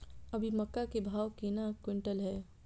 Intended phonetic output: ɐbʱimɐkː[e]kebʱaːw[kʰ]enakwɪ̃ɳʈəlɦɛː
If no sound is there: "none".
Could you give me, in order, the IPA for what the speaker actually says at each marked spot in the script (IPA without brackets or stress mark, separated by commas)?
a, k